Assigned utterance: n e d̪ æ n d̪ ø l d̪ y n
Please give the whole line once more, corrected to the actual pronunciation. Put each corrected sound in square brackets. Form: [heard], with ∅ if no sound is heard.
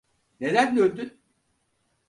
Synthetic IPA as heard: n e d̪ æ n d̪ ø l d̪ y n